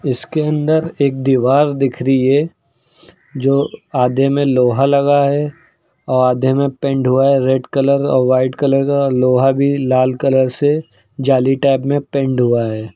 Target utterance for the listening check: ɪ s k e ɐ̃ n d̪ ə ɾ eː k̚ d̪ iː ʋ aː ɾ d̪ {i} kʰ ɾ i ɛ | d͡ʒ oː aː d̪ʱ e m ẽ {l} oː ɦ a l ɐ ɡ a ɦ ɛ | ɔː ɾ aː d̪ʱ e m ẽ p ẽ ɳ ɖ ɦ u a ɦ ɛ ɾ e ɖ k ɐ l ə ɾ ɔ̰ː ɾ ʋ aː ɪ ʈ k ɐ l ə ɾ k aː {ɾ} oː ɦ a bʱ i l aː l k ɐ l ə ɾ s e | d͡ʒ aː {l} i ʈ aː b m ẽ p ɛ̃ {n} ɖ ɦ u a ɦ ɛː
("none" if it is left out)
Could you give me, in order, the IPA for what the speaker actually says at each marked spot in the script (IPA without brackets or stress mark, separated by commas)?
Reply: ɪ, l, l, l, ɳ